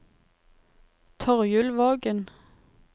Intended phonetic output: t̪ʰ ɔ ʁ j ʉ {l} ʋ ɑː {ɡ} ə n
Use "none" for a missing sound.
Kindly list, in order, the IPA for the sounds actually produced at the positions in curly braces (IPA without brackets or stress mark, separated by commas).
l, ɡ